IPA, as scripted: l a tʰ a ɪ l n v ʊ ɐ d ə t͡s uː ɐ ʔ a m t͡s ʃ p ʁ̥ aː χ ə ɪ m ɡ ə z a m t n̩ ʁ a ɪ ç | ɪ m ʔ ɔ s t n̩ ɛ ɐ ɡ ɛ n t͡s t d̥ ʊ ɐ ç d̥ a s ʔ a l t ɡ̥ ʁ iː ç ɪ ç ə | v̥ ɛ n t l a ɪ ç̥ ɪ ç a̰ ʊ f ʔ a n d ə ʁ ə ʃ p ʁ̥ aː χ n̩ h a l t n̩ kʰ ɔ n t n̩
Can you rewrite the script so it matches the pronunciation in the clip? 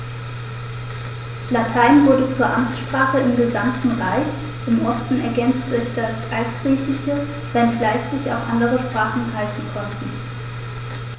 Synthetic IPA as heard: l a tʰ a ɪ n v ʊ ɐ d ə t͡s uː ɐ ʔ a m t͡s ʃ p ʁ̥ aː χ ə ɪ m ɡ ə z a m t n̩ ʁ a ɪ ç | ɪ m ʔ ɔ s t n̩ ɛ ɐ ɡ ɛ n t͡s t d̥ ʊ ɐ ç d̥ a s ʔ a l t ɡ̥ ʁ iː ç ɪ ç ə | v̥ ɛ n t l a ɪ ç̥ ɪ ç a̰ ʊ f ʔ a n d ə ʁ ə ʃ p ʁ̥ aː χ n̩ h a l t n̩ kʰ ɔ n t n̩